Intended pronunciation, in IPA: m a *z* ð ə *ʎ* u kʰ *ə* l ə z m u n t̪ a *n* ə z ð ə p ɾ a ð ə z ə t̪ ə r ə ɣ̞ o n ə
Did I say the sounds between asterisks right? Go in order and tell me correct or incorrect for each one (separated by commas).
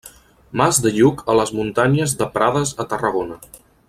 correct, correct, correct, incorrect